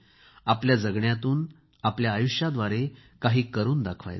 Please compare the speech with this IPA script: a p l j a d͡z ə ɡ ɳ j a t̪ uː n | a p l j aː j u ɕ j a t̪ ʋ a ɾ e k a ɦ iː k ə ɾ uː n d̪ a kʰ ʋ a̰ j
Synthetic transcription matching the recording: a p l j a d͡z ə ɡ ɳ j a t̪ uː n | a p l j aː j u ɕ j a d̪ ʋ a ɾ e k a ɦ iː k ə ɾ uː n d̪ a kʰ ʋ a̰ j